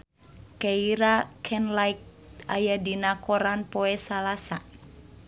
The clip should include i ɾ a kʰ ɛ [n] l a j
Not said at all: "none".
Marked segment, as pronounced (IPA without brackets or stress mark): n